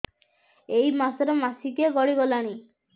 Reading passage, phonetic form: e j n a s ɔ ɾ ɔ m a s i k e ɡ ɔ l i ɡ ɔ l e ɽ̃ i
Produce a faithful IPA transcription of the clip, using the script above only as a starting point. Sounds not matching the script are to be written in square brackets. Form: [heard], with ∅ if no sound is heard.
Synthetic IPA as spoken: e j [m] a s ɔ ɾ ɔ m a s i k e ɡ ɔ [ɽ] i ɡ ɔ l [a] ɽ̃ i